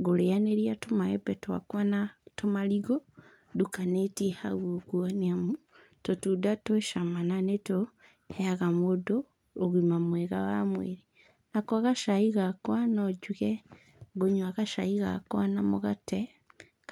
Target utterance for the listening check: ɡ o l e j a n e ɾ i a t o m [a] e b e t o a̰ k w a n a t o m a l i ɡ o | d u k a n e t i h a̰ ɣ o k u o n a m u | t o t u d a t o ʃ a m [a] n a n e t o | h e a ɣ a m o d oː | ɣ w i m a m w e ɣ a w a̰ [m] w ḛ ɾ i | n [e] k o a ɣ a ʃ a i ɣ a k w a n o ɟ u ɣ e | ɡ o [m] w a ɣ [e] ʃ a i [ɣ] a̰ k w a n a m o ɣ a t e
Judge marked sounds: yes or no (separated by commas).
yes, yes, yes, no, no, no, yes